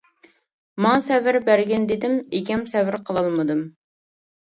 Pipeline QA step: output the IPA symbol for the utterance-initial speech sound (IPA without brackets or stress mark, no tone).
m